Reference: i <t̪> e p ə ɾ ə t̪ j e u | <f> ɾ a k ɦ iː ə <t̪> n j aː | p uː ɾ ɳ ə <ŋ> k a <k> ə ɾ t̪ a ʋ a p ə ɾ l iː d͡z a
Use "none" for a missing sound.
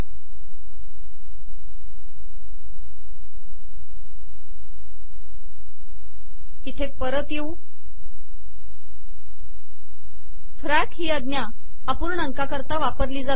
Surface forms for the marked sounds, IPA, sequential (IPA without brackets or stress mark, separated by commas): t̪ʰ, f, d̪, ŋ, k